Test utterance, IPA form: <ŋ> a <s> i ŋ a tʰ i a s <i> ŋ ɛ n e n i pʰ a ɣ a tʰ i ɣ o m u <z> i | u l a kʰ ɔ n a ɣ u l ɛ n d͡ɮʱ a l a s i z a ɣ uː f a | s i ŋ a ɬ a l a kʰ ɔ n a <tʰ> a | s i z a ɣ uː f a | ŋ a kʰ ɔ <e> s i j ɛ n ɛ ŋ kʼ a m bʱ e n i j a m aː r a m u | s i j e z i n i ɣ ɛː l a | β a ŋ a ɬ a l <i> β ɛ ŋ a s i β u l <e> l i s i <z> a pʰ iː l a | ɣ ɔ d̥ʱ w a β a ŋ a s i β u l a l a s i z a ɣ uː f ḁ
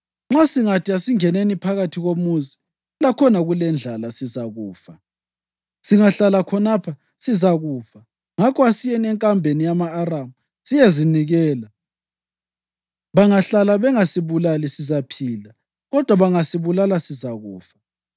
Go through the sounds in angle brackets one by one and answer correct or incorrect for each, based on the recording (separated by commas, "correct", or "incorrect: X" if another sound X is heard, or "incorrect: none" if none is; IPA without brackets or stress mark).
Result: incorrect: ŋ͡ǁ, correct, correct, correct, incorrect: pʰ, incorrect: a, incorrect: a, incorrect: a, correct